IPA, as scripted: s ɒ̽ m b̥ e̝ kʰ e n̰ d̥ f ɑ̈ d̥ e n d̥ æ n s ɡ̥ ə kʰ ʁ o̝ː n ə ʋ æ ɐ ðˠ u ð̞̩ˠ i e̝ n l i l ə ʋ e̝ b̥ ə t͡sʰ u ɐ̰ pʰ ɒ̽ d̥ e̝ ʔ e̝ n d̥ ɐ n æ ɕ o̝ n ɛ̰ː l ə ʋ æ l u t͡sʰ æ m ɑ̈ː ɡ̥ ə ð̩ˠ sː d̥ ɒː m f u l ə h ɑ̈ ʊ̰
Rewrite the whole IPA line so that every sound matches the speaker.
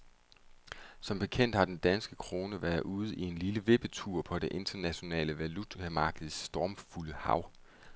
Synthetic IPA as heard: s ɒ̽ m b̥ e̝ kʰ e n̰ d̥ h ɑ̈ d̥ e n d̥ æ n s ɡ̥ ə kʰ ʁ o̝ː n ə ʋ æ ɐ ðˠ u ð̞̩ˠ i e̝ n l i l ə ʋ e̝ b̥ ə t͡sʰ u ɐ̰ pʰ ɒ̽ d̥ e̝ ʔ e̝ n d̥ ɐ n æ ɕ o̝ n ɛ̰ː l ə ʋ æ l u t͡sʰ æ m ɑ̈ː ɡ̥ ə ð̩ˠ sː d̥ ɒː m f u l ə h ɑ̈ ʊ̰